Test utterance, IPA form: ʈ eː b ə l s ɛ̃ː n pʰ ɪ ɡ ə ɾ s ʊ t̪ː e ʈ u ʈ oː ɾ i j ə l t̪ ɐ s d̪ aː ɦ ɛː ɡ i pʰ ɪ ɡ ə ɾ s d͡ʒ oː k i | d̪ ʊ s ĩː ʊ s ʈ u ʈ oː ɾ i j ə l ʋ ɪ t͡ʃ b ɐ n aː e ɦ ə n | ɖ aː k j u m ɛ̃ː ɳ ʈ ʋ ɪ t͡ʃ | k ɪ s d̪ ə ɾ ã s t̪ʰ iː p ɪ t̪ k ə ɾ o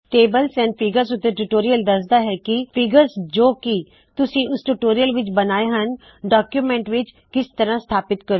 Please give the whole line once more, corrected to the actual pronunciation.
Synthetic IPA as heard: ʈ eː b ə l s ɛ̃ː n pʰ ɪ ɡ ə ɾ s ʊ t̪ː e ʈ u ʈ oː ɾ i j ə l d̪ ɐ s d̪ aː ɦ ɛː k i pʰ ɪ ɡ ə ɾ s d͡ʒ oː k i | t̪ ʊ s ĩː ʊ s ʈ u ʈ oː ɾ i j ə l ʋ ɪ t͡ʃ b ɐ n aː e ɦ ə n | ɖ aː k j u m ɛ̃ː ɳ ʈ ʋ ɪ t͡ʃ | k ɪ s t̪ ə ɾ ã s t̪ʰ aː p ɪ t̪ k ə ɾ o